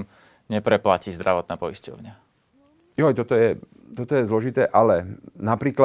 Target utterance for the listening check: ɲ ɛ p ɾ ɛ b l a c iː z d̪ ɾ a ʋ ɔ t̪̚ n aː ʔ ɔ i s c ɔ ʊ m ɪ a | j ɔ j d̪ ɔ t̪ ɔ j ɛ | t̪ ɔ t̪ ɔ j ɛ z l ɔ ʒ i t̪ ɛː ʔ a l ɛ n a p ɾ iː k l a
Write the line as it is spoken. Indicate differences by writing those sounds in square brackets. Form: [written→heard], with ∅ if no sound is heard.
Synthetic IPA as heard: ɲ ɛ p ɾ ɛ [b→p] l a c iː z d̪ ɾ a ʋ ɔ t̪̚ n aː [ʔ→p] ɔ i s c ɔ ʊ [m→ɲ] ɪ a | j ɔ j [d̪→t̪] ɔ t̪ ɔ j ɛ | t̪ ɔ t̪ ɔ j ɛ z l ɔ ʒ i t̪ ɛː ʔ a l ɛ n a p ɾ iː k l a